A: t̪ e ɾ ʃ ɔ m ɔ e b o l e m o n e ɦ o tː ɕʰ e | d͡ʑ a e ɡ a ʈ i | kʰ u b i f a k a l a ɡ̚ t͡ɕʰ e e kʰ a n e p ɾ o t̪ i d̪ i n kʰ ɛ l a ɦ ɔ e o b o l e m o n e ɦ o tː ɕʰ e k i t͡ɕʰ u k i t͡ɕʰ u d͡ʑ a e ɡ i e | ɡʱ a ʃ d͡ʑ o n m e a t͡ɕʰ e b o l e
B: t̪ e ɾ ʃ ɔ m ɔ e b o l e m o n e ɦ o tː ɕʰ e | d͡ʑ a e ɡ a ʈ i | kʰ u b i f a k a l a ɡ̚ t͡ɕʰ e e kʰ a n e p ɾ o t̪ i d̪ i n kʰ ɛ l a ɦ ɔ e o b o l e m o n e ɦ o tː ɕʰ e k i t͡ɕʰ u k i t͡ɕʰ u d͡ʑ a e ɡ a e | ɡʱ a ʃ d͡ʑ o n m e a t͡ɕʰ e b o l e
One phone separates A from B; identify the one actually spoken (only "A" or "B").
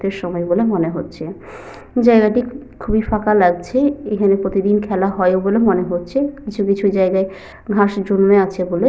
B